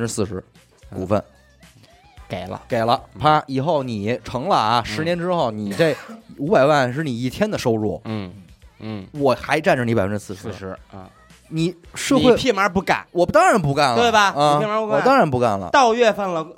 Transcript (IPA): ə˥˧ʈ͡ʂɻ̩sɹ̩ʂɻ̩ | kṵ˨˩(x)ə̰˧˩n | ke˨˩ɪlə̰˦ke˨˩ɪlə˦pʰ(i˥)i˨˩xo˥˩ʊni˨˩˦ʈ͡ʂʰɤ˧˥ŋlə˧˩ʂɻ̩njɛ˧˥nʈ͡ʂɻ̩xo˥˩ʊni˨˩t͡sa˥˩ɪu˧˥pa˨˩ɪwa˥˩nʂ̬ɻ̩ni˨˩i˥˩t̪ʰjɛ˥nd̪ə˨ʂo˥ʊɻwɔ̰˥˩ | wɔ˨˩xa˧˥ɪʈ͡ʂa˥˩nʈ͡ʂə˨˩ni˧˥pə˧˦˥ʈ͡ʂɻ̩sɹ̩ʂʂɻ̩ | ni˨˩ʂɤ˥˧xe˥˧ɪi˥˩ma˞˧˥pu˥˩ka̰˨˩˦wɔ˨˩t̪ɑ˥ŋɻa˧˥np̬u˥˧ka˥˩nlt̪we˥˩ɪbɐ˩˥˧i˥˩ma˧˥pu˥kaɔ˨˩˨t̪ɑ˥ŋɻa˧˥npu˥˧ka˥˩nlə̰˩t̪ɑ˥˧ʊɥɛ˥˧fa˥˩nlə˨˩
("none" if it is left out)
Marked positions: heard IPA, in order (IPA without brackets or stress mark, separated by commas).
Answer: f, a˥